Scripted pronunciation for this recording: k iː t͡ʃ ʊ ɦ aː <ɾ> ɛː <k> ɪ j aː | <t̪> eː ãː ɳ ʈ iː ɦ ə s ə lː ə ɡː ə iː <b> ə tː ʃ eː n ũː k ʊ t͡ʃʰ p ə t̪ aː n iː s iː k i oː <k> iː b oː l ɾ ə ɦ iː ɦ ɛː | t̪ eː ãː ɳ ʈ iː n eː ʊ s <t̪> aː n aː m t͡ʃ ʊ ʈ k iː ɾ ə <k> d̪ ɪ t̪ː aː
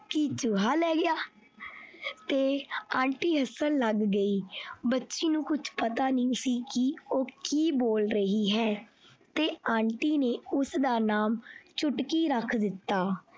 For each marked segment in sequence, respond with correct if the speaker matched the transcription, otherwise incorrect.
incorrect: l, incorrect: ɡ, correct, correct, correct, incorrect: d̪, incorrect: kʰ

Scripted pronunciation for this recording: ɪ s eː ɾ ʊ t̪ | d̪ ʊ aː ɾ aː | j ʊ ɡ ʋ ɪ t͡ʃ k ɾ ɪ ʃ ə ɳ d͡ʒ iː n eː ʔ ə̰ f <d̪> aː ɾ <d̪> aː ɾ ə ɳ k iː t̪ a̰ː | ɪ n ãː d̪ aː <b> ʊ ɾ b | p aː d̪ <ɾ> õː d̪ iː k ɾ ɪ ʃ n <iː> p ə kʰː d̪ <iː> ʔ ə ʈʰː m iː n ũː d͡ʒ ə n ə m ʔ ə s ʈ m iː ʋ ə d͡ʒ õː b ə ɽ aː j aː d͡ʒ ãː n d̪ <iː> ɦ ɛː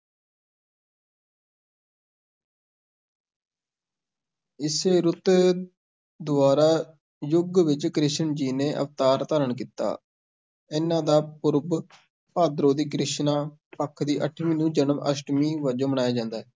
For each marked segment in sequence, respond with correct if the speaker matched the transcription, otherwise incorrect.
incorrect: t̪, incorrect: t̪, incorrect: p, correct, incorrect: aː, correct, incorrect: aː

